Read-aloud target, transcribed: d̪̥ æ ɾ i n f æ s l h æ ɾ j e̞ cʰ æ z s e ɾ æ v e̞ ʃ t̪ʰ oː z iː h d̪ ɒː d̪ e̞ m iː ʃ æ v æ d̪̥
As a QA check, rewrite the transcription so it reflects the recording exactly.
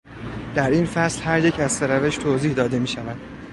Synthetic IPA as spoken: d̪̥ æ ɾ i n f æ s l h æ ɾ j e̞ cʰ æ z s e ɾ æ v e̞ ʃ t̪ʰ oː z iː h d̪ ɒː d̪ e̞ m iː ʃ æ v æ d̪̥